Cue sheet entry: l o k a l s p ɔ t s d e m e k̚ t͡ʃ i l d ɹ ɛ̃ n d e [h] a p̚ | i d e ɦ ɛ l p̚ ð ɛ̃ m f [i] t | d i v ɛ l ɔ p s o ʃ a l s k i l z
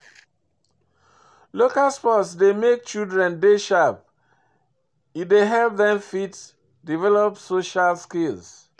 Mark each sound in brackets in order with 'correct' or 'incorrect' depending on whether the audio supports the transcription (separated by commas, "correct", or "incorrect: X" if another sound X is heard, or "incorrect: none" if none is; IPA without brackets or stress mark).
incorrect: ʃ, correct